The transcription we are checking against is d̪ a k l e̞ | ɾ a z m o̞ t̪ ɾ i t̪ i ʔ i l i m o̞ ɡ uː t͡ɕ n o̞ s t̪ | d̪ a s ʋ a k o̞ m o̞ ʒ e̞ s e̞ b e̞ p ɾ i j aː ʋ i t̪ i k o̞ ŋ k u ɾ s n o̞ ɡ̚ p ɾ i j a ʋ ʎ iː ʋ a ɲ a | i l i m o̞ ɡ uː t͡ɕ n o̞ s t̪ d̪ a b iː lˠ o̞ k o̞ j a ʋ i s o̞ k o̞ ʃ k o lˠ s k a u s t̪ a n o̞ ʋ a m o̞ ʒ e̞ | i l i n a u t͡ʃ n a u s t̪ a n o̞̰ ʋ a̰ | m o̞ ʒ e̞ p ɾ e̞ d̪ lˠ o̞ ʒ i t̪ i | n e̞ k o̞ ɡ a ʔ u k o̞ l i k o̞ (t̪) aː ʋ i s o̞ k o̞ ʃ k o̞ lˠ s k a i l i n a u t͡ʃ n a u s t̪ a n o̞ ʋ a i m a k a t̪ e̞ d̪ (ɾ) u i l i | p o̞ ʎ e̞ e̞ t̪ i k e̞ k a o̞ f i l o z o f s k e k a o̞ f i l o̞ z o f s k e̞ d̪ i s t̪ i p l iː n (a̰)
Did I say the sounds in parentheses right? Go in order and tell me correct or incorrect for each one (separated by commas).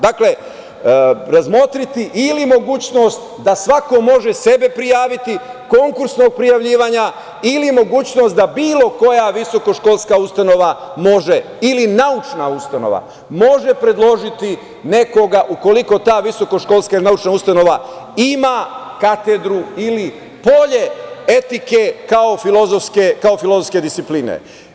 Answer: correct, correct, incorrect